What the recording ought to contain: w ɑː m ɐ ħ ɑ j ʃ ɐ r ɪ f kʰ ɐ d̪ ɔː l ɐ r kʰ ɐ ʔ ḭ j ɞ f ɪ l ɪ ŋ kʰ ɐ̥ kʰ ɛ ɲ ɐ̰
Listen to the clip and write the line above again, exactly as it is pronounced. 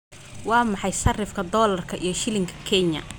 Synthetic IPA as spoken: w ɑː m ɑ ħ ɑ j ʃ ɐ r ɪ f kʰ ɐ d̪ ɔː l ɐ r kʰ ɐ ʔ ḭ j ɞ ʃ ɪ l ɪ ŋ kʰ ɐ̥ kʰ ɛ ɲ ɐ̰